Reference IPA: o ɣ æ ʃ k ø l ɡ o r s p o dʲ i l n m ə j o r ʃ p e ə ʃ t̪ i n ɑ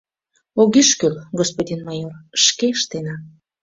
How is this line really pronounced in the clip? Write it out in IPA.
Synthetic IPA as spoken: o ɣ i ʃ k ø l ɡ o s p o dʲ i n m ɑ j o r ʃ k e ə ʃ t̪ e n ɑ